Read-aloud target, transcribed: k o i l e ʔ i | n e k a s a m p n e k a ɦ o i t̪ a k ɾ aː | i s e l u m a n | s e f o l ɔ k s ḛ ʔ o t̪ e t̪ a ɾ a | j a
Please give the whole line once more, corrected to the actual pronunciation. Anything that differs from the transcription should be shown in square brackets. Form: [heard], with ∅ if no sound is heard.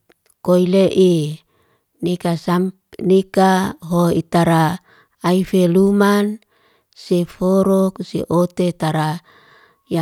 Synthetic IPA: k o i l e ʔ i | n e k a s a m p n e k a ɦ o i t̪ a [∅] ɾ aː | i [f] e l u m a n | s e f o [ɾ] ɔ k s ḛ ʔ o t̪ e t̪ a ɾ a | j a